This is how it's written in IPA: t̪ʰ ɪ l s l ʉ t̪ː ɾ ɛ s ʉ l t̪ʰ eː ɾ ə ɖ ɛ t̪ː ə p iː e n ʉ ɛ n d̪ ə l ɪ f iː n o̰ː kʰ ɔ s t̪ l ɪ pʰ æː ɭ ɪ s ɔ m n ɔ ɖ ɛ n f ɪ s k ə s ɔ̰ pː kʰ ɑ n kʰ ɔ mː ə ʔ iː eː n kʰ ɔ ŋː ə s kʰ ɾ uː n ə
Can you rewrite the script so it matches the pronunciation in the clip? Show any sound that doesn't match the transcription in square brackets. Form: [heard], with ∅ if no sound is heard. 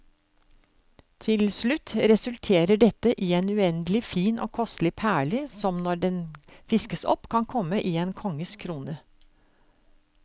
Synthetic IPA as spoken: t̪ʰ ɪ l s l ʉ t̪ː ɾ ɛ s ʉ l t̪ʰ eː ɾ ə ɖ ɛ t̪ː ə [ʔ] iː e n ʉ ɛ n d̪ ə l ɪ f iː n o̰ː kʰ ɔ s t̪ l ɪ pʰ æː ɭ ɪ s ɔ m n ɔ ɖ ɛ n f ɪ s k ə s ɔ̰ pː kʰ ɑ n kʰ ɔ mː ə ʔ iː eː n kʰ ɔ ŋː ə s kʰ ɾ uː n ə